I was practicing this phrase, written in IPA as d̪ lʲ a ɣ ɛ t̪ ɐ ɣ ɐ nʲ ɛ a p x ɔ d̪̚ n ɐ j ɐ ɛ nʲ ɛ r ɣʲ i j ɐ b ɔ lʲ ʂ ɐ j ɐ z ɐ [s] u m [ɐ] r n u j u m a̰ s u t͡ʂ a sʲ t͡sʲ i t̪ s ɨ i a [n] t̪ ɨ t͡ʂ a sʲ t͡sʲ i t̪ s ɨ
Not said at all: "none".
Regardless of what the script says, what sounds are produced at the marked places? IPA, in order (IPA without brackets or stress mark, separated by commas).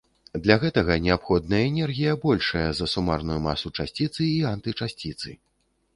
s, a, n